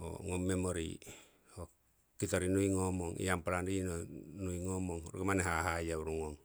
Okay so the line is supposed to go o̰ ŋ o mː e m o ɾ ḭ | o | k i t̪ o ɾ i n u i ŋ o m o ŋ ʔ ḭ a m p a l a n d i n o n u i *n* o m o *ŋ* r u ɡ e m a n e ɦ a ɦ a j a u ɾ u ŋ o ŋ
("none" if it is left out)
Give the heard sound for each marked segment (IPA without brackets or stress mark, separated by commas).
ŋ, ŋ